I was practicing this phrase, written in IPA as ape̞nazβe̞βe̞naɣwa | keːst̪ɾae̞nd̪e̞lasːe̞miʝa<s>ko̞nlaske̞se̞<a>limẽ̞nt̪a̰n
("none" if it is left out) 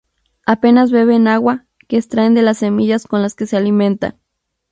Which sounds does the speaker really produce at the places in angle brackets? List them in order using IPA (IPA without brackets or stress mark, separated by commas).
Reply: s, a